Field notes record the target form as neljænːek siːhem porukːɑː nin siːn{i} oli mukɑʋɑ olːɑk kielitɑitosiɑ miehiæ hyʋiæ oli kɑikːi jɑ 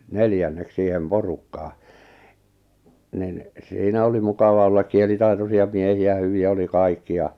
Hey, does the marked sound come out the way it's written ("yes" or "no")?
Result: no